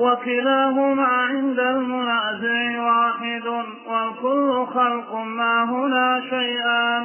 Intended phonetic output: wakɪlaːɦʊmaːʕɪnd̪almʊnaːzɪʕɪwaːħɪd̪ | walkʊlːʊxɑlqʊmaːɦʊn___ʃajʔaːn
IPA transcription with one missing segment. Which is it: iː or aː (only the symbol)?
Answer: aː